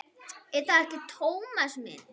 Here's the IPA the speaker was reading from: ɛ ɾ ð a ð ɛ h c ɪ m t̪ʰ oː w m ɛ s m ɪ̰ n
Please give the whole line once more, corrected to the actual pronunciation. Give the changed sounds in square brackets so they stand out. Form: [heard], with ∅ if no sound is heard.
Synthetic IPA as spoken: ɛ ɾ [θ] a ð ɛ h c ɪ [∅] t̪ʰ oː w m [a] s m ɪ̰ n